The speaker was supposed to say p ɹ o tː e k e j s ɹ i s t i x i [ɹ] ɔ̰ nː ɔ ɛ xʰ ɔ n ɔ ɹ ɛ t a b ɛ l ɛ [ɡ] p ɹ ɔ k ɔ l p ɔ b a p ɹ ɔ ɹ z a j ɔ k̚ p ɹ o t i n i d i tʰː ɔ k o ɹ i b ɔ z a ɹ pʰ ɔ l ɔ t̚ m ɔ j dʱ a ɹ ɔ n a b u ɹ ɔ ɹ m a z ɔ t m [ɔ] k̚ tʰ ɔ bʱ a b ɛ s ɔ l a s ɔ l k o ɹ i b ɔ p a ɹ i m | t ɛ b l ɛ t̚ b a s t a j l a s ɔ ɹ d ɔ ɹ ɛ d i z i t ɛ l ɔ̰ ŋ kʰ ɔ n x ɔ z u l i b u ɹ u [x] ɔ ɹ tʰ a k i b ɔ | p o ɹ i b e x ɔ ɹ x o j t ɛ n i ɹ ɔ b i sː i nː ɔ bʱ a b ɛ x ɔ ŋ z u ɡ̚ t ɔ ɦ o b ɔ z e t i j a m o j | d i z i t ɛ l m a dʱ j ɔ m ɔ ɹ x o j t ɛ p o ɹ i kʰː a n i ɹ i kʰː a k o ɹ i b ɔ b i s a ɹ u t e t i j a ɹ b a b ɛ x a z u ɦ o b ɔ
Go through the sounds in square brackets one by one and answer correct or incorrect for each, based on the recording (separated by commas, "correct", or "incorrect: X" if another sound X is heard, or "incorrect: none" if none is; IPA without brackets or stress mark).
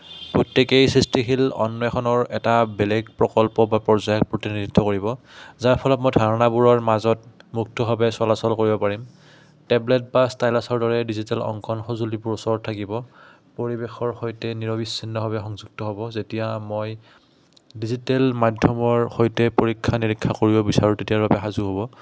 incorrect: l, correct, incorrect: u, incorrect: s